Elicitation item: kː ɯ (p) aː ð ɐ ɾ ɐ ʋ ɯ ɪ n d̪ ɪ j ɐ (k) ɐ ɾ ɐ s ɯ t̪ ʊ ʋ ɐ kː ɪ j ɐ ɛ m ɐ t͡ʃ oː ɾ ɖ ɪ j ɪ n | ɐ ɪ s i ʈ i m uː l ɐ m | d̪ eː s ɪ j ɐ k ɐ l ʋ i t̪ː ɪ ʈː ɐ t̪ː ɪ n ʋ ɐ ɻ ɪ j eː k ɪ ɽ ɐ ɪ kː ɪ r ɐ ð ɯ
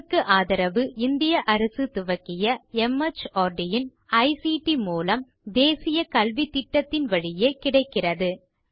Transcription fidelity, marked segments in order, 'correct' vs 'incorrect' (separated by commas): incorrect, incorrect